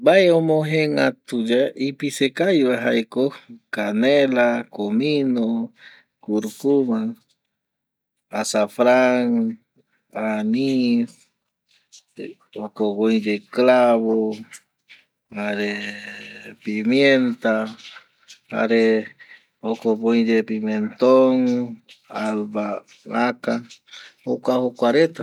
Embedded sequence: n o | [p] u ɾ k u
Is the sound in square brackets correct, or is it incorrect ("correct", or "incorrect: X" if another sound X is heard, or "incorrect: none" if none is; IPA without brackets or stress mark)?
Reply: incorrect: k